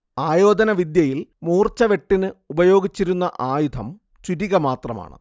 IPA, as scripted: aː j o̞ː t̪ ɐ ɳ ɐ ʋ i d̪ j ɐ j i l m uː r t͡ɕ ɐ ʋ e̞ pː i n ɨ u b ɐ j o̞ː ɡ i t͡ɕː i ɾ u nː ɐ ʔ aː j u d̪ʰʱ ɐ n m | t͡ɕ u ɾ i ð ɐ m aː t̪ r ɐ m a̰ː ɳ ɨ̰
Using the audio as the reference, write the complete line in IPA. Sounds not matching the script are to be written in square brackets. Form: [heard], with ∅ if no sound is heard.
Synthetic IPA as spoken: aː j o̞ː [d̪] ɐ [n] ɐ ʋ i d̪ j ɐ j i l m uː r t͡ɕ ɐ ʋ e̞ [ʈː] i n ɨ u b ɐ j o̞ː ɡ i t͡ɕː i ɾ u nː ɐ ʔ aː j u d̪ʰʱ ɐ [∅] m | t͡ɕ u ɾ i [ɣ] ɐ m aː t̪ r ɐ m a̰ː ɳ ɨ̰

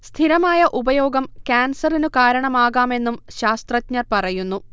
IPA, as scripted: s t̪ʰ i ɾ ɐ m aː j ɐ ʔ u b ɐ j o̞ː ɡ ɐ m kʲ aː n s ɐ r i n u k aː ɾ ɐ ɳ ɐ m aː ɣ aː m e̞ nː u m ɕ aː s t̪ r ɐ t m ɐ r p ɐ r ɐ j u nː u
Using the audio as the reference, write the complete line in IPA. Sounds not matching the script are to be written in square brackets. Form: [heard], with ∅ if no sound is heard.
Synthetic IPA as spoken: s t̪ʰ i ɾ ɐ m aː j ɐ ʔ u b ɐ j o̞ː ɡ ɐ m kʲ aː n s ɐ r i n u k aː ɾ ɐ ɳ ɐ m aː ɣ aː m e̞ nː u m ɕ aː s t̪ r ɐ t [ɲ] ɐ r p ɐ r ɐ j u nː u

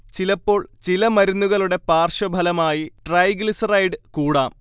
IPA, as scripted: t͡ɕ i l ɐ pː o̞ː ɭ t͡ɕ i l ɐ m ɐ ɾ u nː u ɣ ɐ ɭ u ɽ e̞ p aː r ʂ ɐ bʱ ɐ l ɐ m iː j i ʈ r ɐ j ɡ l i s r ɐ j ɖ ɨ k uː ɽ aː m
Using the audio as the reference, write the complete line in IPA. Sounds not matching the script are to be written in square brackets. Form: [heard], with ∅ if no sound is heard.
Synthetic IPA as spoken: t͡ɕ i l ɐ pː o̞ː ɭ t͡ɕ i l ɐ m ɐ ɾ u nː u ɣ ɐ ɭ u ɽ e̞ p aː r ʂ ɐ bʱ ɐ l ɐ m [aː] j i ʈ r ɐ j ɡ l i s r ɐ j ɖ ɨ k uː ɽ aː m

